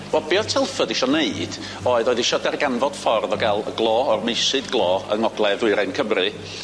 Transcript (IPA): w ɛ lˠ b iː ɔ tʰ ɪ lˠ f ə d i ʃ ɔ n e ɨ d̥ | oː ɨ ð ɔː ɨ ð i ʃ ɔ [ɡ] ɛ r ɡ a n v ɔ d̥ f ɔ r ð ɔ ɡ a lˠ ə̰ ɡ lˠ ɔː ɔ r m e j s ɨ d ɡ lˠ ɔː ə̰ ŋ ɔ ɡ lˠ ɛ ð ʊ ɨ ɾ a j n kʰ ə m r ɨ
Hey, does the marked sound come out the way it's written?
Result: no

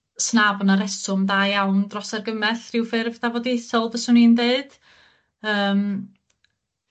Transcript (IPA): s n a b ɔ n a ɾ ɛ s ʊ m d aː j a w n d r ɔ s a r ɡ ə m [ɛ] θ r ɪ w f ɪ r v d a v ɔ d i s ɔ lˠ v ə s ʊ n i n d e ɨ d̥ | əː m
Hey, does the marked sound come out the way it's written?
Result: yes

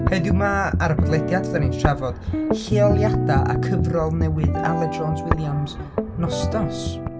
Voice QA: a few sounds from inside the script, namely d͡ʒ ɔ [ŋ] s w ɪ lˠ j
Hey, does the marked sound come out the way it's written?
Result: no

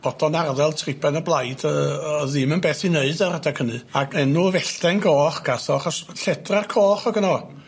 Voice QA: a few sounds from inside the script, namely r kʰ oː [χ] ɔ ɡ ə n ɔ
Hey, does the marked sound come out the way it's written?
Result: yes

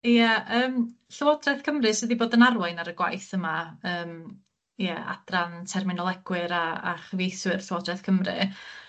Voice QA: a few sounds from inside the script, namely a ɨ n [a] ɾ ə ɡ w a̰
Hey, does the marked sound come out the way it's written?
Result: yes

